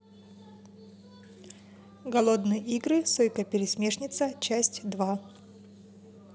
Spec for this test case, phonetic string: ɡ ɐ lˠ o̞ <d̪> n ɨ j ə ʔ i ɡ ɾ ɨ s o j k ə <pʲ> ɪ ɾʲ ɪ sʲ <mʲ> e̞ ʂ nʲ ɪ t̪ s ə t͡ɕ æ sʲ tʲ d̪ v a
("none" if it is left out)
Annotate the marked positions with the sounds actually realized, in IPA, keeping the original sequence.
d̪, pʲ, mʲ

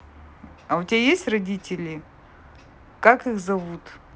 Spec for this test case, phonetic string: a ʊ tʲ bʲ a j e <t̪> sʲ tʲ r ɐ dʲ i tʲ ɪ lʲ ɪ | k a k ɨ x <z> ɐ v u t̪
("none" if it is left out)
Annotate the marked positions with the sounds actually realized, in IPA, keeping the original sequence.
none, z

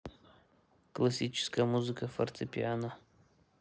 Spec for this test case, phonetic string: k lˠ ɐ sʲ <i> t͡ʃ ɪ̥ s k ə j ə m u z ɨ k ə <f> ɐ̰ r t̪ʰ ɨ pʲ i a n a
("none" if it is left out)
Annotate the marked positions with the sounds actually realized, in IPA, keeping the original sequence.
i, f

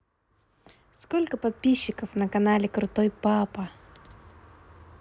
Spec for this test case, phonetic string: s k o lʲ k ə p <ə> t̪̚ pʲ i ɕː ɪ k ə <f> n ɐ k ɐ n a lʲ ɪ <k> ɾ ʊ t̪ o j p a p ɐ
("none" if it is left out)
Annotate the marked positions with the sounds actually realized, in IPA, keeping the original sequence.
ɐ, f, k

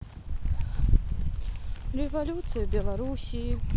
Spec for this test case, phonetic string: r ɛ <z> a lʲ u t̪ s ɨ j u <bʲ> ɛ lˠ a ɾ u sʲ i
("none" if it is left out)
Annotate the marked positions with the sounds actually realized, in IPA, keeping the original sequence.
v, bʲ

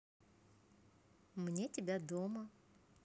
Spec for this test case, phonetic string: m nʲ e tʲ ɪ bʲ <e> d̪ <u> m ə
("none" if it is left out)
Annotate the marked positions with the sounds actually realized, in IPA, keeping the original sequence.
a, o

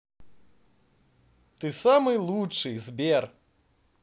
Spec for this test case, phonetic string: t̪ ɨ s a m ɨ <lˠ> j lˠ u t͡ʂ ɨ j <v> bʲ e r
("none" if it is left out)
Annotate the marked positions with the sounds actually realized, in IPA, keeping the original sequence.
none, z

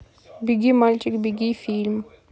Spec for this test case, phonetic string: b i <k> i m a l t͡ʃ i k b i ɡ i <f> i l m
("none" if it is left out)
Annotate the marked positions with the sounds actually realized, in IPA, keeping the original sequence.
ɡ, f

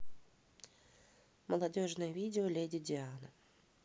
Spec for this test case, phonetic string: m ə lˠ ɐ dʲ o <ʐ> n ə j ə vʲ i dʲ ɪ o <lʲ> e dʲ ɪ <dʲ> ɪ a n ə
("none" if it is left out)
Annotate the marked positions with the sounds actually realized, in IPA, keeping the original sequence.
ʐ, lʲ, dʲ

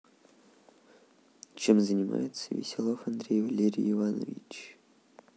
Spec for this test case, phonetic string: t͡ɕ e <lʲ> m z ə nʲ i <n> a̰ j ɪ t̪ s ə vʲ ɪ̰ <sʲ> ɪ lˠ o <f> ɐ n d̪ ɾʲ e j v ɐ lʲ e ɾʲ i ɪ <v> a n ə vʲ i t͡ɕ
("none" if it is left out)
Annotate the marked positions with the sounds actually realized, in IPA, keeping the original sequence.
none, m, sʲ, f, v

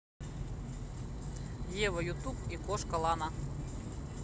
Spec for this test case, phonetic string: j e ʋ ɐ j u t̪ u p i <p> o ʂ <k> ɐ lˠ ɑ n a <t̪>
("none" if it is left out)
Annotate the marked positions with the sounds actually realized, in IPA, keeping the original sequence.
k, k, none

